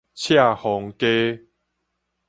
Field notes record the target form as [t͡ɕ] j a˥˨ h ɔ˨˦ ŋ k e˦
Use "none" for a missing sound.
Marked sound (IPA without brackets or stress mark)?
t͡ɕʰ